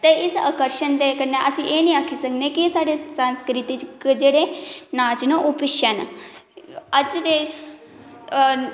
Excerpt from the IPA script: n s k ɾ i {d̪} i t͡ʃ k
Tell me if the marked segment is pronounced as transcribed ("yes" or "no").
no